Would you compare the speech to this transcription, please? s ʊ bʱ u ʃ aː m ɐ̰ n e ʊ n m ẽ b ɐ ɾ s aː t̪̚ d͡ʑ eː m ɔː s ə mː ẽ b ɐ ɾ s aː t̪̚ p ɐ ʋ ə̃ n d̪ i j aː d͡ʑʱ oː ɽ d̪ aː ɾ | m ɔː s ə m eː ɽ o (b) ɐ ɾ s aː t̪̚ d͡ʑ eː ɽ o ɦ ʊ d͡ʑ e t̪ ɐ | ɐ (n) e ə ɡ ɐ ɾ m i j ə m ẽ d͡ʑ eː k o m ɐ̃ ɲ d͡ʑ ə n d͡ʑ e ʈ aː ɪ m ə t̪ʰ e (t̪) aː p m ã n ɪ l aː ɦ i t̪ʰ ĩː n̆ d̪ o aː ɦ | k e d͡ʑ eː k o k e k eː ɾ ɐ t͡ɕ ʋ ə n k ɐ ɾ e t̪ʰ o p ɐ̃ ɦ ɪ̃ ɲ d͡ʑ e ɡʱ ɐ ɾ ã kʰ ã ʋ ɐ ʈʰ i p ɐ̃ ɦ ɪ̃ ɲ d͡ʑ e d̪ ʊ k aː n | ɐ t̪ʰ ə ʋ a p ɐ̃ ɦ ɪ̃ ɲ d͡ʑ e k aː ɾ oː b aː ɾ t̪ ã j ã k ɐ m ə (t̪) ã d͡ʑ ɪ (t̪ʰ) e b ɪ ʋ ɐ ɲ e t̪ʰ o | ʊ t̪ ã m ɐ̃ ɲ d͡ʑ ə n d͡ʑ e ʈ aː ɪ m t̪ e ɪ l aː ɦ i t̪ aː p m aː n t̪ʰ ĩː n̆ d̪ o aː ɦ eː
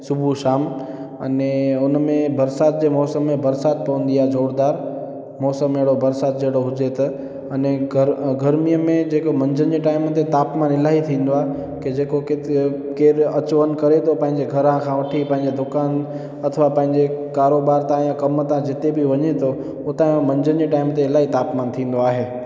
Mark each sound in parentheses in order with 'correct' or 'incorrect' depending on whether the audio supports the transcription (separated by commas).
correct, correct, correct, correct, incorrect